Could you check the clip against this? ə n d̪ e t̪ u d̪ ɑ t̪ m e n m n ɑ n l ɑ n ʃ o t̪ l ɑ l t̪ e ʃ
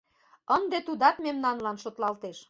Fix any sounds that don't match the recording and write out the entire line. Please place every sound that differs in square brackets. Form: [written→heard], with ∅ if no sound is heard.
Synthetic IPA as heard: ə n d̪ e t̪ u d̪ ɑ t̪ m e [n→∅] m n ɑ n l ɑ n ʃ o t̪ l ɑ l t̪ e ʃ